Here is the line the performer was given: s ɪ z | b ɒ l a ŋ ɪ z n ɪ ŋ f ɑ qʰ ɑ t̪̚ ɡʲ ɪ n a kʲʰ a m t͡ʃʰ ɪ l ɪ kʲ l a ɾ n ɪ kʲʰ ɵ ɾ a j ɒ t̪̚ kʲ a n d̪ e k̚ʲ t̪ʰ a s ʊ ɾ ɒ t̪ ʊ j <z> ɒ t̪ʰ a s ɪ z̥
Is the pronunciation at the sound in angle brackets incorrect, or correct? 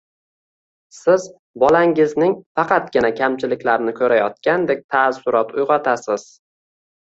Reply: incorrect